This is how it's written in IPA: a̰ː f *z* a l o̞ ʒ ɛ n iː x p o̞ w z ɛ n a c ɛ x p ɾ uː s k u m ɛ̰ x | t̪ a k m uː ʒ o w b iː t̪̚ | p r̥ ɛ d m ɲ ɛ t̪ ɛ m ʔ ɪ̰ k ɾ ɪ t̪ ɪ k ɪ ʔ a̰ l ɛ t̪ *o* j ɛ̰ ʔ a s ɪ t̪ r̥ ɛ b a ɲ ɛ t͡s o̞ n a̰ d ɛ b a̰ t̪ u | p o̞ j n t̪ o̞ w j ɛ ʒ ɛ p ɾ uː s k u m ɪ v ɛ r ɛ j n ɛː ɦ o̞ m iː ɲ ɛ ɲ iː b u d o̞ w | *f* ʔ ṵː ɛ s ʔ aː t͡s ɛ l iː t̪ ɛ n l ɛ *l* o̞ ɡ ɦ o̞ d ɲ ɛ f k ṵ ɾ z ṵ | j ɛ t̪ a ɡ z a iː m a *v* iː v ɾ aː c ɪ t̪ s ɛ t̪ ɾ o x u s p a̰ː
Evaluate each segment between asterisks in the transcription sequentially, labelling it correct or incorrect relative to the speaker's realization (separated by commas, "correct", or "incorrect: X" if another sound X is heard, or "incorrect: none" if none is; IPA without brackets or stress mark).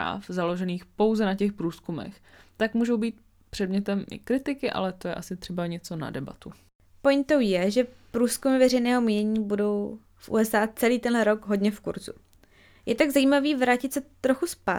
correct, correct, correct, incorrect: ɾ, correct